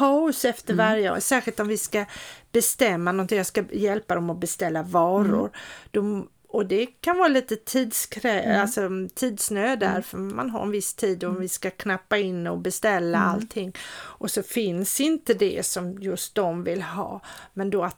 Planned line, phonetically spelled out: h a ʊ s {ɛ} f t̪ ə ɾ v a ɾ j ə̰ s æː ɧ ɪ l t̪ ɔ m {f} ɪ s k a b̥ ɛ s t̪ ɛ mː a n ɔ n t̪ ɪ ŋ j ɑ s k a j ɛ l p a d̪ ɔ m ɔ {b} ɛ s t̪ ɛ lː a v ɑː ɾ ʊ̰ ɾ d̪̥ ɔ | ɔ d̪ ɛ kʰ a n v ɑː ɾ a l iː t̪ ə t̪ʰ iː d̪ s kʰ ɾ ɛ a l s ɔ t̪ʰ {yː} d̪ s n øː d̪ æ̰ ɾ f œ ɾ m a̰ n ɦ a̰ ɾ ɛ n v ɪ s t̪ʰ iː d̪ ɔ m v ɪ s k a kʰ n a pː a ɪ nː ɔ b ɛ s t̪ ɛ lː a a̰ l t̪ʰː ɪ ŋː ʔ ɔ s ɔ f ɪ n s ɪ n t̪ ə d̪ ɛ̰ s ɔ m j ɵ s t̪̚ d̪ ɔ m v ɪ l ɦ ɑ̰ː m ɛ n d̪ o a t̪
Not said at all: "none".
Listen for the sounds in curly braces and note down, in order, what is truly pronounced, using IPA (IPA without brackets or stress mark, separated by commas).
ɛ, v, b, iː